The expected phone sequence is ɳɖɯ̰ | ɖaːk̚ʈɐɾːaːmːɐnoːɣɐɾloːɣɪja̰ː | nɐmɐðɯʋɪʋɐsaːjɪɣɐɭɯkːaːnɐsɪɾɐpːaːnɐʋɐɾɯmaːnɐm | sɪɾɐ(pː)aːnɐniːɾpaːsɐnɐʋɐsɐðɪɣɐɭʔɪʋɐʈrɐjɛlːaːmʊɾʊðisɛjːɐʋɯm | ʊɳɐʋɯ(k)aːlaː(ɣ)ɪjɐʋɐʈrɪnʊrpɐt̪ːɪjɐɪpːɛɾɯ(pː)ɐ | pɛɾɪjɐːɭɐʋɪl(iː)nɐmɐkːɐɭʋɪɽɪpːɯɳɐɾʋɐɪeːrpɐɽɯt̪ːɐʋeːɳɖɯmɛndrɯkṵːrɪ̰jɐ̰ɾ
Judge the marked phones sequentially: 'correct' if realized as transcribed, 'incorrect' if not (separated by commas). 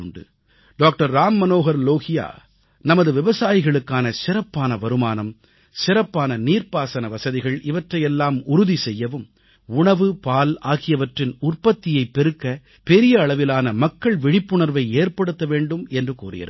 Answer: correct, incorrect, correct, incorrect, incorrect